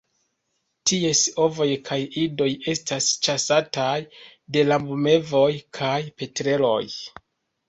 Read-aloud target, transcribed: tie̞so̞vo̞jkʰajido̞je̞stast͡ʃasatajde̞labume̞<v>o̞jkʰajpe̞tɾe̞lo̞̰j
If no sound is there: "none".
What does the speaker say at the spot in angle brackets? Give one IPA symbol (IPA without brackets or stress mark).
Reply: v